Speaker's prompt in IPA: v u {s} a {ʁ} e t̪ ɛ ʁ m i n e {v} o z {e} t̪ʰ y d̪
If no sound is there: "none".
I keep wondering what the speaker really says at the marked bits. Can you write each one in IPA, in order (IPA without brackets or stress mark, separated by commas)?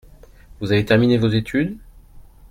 z, v, v, e